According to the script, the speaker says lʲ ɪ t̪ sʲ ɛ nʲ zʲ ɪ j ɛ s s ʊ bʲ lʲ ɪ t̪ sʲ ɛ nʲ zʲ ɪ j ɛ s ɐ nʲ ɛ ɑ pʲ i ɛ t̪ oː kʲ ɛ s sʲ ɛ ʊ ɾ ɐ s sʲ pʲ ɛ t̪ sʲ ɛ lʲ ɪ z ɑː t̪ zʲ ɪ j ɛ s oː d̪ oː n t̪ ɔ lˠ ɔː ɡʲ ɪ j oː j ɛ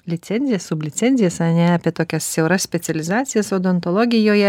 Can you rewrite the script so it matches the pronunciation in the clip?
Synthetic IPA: lʲ ɪ t̪ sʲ ɛ nʲ zʲ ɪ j ɛ s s ʊ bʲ lʲ ɪ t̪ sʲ ɛ nʲ zʲ ɪ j ɛ s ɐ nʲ ɛ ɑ pʲ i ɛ t̪ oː kʲ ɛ s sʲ ɛ ʊ ɾ ɐ s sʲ pʲ ɛ t̪ sʲ ɛ lʲ ɪ z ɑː t̪ sʲ ɪ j ɛ s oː d̪ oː n t̪ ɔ lˠ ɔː ɡʲ ɪ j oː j ɛ